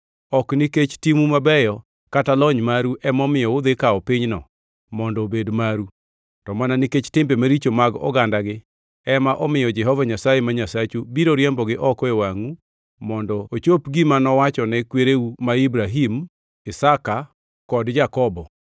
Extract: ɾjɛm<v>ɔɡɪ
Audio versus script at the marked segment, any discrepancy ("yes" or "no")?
yes